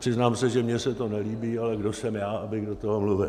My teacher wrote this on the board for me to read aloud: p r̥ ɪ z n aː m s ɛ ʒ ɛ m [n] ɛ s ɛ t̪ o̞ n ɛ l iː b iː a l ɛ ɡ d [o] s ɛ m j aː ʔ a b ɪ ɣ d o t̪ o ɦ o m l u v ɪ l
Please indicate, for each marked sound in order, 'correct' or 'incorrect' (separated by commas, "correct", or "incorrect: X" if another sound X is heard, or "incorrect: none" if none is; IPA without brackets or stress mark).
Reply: incorrect: ɲ, correct